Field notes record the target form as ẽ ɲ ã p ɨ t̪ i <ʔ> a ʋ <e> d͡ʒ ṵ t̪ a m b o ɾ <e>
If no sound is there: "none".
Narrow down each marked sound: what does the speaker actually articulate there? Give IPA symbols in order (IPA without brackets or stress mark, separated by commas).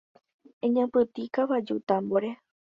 k, a, e